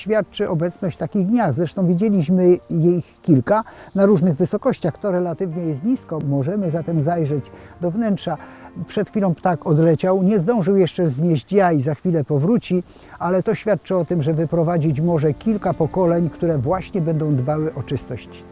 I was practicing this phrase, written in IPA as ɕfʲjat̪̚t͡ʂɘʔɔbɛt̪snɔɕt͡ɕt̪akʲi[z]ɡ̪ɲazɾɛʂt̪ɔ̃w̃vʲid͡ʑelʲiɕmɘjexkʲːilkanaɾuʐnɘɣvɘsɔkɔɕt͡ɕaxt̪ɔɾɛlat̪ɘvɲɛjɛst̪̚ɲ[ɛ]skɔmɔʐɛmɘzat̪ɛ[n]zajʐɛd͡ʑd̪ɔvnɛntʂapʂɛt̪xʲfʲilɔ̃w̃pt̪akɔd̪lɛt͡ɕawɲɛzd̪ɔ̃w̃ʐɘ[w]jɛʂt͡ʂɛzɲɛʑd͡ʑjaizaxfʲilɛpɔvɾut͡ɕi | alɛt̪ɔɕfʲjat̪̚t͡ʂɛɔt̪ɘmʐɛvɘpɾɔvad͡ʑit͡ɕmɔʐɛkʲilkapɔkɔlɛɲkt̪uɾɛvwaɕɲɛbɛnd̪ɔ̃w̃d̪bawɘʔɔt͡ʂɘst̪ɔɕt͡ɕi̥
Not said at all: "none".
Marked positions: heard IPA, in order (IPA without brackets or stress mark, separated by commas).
ɣ, i, m, w